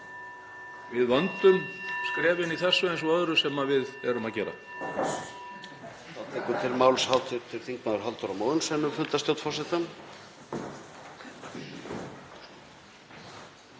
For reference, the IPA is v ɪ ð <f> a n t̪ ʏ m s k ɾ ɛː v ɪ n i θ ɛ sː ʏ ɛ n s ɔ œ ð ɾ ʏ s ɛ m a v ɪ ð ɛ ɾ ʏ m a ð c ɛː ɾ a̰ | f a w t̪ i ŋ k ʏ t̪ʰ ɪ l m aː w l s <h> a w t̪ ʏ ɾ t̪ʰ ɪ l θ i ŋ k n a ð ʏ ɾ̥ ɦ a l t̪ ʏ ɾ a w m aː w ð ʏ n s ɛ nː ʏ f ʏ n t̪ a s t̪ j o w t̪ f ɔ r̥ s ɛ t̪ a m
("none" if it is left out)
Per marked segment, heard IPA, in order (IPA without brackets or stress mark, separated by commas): v, h